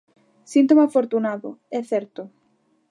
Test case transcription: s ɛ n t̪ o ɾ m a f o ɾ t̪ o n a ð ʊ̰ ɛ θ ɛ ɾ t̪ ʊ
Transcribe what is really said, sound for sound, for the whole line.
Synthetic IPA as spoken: s i n t̪ o m a f o ɾ t̪ u n a ð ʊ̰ ɛ θ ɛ ɾ t̪ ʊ

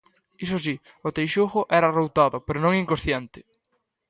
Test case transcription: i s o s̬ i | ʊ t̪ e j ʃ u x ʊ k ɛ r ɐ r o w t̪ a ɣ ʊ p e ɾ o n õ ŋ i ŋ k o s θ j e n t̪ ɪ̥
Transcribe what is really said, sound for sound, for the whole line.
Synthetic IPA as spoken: i s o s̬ i | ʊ t̪ e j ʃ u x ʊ ʔ ɛ ɾ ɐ r o w t̪ a ð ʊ p e ɾ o n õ ŋ i ŋ k o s θ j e n t̪ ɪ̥

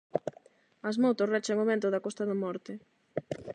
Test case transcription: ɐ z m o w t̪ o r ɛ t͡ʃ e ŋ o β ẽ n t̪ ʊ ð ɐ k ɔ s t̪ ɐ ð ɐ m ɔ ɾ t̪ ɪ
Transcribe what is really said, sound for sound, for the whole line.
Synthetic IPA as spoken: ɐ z m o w t̪ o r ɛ t͡ʃ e ŋ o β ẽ n t̪ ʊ ð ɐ k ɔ s t̪ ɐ ð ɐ m ɔ ɾ t̪ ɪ

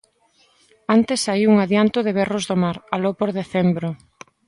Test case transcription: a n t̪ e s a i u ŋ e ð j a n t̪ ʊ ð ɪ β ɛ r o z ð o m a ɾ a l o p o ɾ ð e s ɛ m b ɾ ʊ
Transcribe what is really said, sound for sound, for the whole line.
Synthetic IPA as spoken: a n t̪ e s a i u ŋ a ð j a n t̪ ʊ ð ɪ β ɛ r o z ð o m a ɾ a l o p o ɾ ð e θ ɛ m b ɾ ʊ

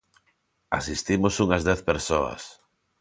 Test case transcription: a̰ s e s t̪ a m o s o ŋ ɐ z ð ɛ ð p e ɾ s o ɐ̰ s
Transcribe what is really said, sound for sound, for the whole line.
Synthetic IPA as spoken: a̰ s i s t̪ i m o s u ŋ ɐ z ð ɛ θ p e ɾ s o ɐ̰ s

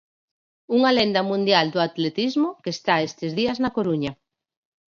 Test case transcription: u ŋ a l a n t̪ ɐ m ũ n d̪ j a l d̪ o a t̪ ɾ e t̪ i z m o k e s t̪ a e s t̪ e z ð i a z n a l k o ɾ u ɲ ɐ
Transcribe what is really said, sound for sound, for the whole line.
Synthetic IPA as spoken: u ŋ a l e n d̪ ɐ m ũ n d̪ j a l d̪ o a t̪ l e t̪ i z m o k e s t̪ a e s t̪ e z ð i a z n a k o ɾ u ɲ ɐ

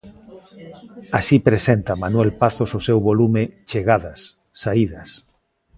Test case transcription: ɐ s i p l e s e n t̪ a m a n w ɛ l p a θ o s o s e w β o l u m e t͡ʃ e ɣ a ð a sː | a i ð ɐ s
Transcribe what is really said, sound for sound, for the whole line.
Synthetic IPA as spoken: a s i p ɾ e s e n t̪ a m a n w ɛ l p a θ o s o s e w β o l u m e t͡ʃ e ɣ a ð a sː | a i ð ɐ s

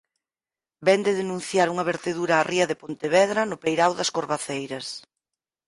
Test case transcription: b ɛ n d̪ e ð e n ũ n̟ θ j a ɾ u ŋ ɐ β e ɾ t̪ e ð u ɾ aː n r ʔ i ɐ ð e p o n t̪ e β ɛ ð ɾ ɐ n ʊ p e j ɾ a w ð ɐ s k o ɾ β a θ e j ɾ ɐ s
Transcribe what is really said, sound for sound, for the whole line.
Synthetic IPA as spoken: b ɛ n d̪ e ð e n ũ n̟ θ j a ɾ u ŋ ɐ β e ɾ t̪ e ð u ɾ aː r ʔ i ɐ ð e p o n t̪ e β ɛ ð ɾ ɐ n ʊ p e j ɾ a w ð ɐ s k o ɾ β a θ e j ɾ ɐ s

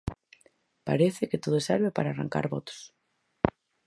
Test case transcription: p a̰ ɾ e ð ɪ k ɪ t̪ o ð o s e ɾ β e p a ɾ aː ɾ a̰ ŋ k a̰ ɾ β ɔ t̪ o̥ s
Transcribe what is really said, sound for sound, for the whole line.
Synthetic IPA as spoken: p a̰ ɾ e θ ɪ k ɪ t̪ o ð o s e ɾ β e p a ɾ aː r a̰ ŋ k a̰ ɾ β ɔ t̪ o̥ s

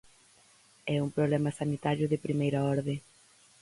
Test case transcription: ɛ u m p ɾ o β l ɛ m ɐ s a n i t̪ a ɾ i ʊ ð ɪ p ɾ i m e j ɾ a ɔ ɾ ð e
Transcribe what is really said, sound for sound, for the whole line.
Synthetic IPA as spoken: ɛ u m p ɾ o β l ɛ m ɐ s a n i t̪ a ɾ j ʊ ð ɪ p ɾ i m e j ɾ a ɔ ɾ ð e

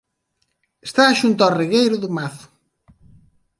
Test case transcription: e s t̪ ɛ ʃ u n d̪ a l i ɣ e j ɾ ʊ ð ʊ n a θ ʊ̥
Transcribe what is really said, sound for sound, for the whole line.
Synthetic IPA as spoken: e s t̪ a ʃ u n t̪ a r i ɣ e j ɾ ʊ ð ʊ m a θ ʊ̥

